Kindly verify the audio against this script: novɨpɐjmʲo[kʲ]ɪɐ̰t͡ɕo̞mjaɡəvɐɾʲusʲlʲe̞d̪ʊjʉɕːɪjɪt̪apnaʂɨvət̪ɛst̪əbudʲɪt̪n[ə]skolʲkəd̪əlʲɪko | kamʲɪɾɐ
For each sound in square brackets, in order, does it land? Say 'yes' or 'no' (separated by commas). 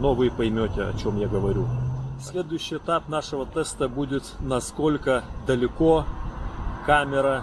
no, no